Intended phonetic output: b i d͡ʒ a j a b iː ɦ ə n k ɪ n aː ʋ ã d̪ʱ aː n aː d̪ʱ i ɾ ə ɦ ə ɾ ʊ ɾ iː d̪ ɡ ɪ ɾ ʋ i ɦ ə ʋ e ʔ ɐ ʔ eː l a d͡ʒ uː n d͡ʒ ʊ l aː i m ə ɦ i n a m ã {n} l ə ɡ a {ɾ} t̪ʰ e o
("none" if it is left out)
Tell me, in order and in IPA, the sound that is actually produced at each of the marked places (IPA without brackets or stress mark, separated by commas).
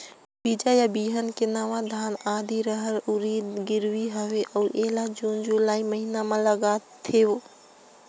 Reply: none, none